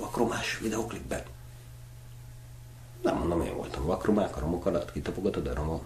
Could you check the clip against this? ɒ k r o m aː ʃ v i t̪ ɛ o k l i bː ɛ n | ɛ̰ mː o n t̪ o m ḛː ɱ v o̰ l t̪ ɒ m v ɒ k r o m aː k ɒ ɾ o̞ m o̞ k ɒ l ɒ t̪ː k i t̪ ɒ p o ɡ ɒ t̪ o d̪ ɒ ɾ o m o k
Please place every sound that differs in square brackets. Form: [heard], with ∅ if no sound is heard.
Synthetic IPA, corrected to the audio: ɒ k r o m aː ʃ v i [d̪] ɛ o k l i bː ɛ n | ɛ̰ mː o n [d̪] o m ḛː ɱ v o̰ l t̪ ɒ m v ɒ k r o m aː k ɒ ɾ o̞ m o̞ k ɒ l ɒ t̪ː k i t̪ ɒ p o ɡ ɒ t̪ o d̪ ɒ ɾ o m o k